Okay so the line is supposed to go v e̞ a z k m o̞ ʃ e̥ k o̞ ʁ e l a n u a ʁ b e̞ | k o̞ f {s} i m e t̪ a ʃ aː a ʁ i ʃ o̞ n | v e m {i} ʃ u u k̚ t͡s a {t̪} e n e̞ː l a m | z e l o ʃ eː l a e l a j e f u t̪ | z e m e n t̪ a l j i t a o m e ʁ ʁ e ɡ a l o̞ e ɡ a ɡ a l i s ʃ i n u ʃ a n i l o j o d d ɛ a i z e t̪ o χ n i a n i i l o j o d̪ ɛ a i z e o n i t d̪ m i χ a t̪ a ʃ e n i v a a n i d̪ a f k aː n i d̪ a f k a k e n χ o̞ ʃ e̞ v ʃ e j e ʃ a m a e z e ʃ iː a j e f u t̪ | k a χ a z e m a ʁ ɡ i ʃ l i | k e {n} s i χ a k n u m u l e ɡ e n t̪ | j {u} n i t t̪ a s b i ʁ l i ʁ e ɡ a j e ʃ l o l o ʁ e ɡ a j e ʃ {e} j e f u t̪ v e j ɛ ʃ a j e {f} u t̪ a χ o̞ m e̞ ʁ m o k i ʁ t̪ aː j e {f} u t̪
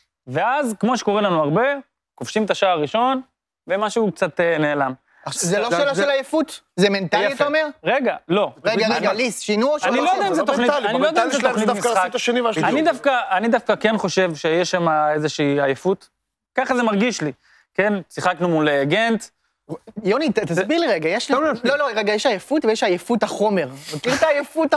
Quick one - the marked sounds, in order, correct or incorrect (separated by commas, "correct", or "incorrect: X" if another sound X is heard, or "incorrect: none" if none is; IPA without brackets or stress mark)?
incorrect: ʃ, incorrect: a, correct, correct, incorrect: o, incorrect: a, correct, correct